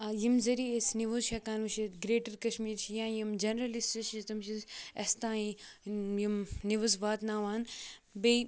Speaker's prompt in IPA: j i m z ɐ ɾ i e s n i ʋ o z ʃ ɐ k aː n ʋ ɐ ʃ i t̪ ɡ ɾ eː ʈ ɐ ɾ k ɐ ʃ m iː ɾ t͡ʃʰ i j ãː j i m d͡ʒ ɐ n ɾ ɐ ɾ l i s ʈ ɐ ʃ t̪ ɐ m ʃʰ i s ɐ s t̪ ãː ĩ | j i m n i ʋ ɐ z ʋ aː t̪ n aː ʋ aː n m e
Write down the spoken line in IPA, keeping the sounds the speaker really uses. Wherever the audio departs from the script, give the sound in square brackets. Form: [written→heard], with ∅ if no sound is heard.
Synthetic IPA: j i m z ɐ ɾ i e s n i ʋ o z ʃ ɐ k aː n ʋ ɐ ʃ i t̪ ɡ ɾ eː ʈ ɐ ɾ k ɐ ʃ m iː ɾ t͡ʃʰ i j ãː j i m d͡ʒ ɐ n ɾ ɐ [ɾ→∅] l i s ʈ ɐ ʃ t̪ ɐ m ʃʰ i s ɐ s t̪ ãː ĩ | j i m n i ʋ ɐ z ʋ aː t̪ n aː ʋ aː n [m→b] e